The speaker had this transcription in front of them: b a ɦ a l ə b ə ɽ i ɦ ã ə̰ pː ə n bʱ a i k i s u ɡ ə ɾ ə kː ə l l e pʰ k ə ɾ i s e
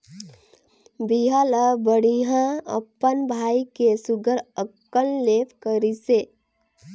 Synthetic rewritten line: b i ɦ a l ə b ə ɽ i ɦ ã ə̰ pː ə n bʱ a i k e s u ɡ ə ɾ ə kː ə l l e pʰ k ə ɾ i s e